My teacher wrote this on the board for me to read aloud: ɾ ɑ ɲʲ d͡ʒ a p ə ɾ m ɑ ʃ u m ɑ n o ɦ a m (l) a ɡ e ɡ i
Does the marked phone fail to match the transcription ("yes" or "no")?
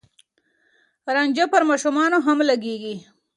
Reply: no